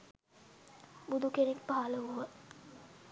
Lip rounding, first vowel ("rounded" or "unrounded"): rounded